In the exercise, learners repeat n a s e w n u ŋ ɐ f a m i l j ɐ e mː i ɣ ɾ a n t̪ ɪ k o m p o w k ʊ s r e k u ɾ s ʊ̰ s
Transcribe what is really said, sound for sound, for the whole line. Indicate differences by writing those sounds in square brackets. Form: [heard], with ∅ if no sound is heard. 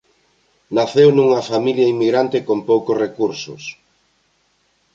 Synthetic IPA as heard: n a [θ] e w n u ŋ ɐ f a m i l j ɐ [i] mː i ɣ ɾ a n t̪ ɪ k o m p o w k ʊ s r e k u ɾ s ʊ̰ s